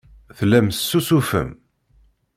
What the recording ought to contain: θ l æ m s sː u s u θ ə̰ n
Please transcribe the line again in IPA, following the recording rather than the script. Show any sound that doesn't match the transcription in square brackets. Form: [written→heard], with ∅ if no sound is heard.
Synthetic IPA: θ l æ m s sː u s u [θ→f] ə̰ [n→m]

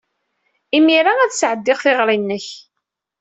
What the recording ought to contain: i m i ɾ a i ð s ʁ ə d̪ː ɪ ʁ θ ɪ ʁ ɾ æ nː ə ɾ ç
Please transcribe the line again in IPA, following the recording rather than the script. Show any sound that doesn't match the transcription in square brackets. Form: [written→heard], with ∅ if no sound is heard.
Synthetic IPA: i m i ɾ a [i→æ] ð s [ʁ→ʕ] ə d̪ː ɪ ʁ θ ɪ ʁ ɾ [æ→i] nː ə [ɾ→∅] ç

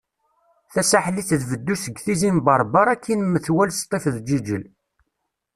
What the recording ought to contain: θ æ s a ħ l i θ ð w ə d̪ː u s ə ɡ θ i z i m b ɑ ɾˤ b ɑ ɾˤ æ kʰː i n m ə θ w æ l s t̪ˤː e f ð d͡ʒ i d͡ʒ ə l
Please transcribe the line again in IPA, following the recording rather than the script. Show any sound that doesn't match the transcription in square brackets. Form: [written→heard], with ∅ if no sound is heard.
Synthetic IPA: θ æ s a ħ l i θ ð [w→v] ə d̪ː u s ə ɡ θ i z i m b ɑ ɾˤ b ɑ ɾˤ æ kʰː i n m ə θ w æ l s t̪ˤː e f ð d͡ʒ i d͡ʒ ə l

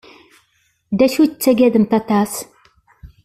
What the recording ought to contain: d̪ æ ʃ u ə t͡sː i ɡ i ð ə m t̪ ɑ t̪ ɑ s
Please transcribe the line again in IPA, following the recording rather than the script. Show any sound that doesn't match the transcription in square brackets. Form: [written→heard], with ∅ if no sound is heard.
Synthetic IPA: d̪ æ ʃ u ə t͡sː [i→æ] ɡ [i→æ] ð ə m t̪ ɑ t̪ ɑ s

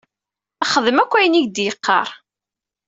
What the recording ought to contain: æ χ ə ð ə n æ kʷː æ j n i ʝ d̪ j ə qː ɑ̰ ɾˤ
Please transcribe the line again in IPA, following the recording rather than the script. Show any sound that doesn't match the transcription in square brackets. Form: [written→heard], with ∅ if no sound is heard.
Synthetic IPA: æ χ ə ð ə [n→m] æ kʷː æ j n i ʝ d̪ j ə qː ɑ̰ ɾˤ

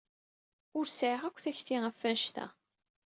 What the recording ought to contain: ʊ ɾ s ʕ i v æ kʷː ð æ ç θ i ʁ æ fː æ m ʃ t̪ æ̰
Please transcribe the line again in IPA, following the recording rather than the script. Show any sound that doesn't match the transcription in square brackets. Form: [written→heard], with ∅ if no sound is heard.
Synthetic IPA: ʊ ɾ s ʕ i [v→ʁ] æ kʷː [ð→θ] æ ç θ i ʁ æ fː æ [m→n] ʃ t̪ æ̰

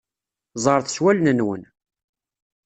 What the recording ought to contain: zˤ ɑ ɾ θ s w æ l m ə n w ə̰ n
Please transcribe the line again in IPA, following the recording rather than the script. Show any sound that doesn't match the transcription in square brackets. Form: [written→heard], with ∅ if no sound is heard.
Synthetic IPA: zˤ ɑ ɾ θ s w æ l [m→n] ə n w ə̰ n

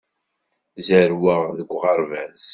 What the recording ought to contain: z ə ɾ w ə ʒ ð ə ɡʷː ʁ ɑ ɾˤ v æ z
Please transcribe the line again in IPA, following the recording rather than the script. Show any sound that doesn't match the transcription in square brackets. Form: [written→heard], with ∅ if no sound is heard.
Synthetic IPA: z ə ɾ w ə [ʒ→ʁ] ð ə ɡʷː ʁ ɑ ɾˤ v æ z

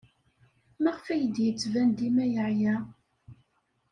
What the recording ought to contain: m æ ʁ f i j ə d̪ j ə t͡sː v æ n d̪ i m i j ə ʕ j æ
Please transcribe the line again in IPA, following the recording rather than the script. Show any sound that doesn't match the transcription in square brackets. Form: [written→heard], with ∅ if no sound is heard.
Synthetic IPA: m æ ʁ f [i→æ] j ə d̪ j ə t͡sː v æ n d̪ i m [i→æ] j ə ʕ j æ

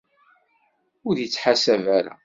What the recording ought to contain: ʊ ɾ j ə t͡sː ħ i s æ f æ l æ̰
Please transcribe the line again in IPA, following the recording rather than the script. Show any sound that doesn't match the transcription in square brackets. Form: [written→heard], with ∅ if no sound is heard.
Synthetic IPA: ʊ ɾ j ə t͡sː ħ [i→a] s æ [f→v] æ [l→ɾ] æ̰

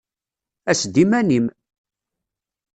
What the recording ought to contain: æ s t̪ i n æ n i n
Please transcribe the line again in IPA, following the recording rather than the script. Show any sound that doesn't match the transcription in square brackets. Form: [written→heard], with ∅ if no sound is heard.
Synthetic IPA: æ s [t̪→d̪] i [n→m] æ n i [n→m]

